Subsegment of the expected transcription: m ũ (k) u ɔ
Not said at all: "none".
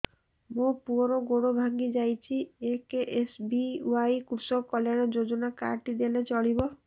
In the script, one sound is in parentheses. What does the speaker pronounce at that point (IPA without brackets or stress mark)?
p